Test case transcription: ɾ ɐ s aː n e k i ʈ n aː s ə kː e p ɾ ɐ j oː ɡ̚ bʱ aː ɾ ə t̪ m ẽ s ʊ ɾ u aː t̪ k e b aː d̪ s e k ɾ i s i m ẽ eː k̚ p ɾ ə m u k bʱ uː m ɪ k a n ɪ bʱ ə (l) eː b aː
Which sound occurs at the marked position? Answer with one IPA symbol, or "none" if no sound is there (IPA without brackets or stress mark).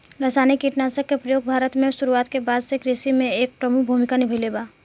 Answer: l